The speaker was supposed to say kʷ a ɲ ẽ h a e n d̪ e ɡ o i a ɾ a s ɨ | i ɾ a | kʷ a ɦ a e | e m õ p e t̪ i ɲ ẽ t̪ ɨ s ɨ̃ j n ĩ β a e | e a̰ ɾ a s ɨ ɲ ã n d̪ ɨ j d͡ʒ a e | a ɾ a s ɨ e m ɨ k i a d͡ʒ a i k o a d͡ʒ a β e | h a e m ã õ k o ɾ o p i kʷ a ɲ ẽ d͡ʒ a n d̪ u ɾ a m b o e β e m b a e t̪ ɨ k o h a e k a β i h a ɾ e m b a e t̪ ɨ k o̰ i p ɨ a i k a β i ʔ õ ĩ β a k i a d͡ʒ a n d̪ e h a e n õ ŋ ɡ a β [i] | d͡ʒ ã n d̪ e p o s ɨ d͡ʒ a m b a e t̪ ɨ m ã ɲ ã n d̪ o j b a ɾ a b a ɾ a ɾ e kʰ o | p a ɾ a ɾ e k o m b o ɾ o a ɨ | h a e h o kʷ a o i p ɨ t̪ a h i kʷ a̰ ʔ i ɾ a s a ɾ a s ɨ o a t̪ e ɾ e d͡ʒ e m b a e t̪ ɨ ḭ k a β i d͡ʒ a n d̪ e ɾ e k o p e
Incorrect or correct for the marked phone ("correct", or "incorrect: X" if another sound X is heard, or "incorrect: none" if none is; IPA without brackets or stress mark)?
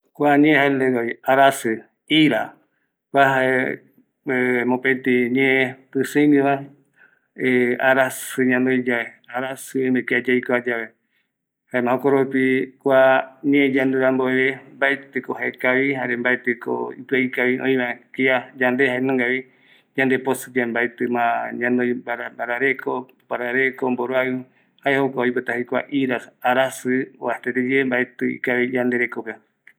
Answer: correct